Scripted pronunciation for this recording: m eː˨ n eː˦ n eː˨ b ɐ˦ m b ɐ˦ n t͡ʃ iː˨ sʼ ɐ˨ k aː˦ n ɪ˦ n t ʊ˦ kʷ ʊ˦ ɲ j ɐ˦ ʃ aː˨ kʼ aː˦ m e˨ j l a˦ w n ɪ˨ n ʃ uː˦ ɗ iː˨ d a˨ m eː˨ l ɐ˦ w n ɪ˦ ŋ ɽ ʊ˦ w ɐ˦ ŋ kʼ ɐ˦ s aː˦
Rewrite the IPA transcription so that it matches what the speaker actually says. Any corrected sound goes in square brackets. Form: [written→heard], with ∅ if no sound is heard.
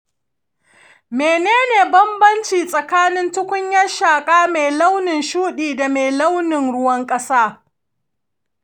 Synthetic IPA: m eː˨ n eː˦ n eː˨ b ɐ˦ m b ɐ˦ n t͡ʃ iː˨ sʼ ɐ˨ k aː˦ n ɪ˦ n t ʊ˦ kʷ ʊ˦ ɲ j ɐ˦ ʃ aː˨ kʼ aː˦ m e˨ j l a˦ w n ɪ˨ n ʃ uː˦ ɗ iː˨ d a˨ m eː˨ l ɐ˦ w n [ɪ˦→ɪ˨] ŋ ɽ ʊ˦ w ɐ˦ ŋ kʼ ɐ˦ s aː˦